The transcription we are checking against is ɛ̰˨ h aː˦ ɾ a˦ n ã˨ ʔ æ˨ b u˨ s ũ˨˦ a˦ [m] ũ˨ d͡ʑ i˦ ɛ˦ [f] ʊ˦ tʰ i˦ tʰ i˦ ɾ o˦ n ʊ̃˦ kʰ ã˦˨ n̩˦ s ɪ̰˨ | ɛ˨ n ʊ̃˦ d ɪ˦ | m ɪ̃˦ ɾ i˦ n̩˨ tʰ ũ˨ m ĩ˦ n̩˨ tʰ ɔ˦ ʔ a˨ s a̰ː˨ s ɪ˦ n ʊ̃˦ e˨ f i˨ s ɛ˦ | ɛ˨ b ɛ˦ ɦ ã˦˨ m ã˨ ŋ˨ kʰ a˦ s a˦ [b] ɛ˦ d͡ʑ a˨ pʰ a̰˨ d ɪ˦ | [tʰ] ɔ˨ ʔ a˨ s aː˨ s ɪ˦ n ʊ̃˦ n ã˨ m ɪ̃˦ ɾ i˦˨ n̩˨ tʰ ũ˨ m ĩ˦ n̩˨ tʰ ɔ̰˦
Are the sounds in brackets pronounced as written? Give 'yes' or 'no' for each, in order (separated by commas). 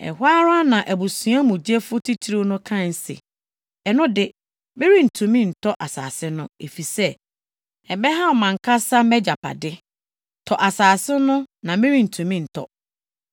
yes, yes, no, yes